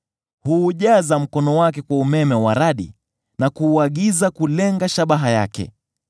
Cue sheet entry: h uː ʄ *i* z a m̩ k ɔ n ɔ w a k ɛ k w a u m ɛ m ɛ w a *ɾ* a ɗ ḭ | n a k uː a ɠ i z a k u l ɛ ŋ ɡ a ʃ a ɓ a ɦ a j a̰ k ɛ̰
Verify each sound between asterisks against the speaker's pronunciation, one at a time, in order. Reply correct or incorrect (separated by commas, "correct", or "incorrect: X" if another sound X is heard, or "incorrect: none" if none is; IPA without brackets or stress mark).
incorrect: a, correct